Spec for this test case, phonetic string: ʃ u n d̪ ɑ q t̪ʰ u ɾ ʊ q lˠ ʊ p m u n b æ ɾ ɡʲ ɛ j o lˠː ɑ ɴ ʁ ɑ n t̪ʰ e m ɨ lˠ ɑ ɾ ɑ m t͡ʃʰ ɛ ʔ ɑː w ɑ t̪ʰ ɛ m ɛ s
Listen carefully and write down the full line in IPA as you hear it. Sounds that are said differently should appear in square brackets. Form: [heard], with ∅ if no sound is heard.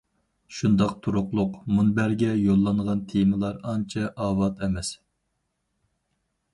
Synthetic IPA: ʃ u n d̪ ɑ q t̪ʰ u ɾ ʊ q lˠ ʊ [q] m u n b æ ɾ ɡʲ ɛ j o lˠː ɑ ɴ ʁ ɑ n t̪ʰ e m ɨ lˠ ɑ ɾ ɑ [n] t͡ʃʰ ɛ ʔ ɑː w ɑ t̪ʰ ɛ m ɛ s